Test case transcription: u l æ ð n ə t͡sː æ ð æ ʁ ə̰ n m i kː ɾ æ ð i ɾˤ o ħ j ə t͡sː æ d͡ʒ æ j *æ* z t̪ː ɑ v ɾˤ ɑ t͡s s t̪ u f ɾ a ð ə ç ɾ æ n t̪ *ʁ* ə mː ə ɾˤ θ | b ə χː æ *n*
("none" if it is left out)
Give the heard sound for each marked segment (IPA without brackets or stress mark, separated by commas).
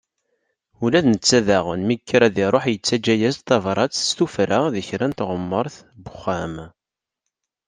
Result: æ, ʁ, m